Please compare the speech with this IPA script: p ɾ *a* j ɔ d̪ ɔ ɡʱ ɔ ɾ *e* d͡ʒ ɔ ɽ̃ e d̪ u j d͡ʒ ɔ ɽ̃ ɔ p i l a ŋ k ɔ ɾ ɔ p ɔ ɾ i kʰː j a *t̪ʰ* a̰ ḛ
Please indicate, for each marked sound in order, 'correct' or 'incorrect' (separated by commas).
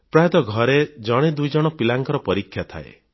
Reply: correct, correct, correct